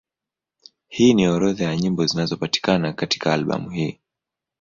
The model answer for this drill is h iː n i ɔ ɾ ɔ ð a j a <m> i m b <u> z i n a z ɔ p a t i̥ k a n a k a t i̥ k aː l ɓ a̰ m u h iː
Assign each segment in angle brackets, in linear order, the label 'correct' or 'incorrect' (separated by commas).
incorrect, incorrect